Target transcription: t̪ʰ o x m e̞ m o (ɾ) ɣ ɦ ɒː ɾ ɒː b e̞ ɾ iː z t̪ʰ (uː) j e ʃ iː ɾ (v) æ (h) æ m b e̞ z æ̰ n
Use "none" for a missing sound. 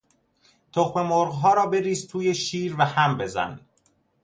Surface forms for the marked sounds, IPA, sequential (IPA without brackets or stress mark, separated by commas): ɾ, uː, v, h